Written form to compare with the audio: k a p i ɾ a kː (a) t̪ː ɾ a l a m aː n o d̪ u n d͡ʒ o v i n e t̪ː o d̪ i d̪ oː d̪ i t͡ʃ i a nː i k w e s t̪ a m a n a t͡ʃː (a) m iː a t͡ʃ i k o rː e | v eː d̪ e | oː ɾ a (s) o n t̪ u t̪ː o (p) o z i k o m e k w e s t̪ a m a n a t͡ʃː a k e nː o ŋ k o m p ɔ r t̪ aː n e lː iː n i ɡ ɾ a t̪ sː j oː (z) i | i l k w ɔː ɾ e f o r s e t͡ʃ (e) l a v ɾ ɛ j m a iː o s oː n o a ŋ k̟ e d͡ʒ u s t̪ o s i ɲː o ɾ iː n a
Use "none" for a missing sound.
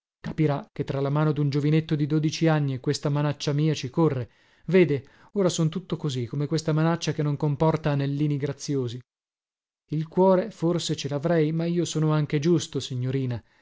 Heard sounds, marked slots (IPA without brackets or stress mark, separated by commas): e, a, s, k, z, e